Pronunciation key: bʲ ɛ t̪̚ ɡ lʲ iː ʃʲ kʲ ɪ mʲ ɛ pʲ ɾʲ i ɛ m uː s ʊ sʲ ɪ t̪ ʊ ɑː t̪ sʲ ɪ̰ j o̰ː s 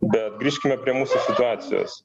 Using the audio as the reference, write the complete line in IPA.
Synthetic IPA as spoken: bʲ ɛ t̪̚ ɡ ɾʲ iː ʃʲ kʲ ɪ mʲ ɛ pʲ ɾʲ i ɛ m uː s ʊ sʲ ɪ t̪ ʊ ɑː t̪ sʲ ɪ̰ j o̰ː s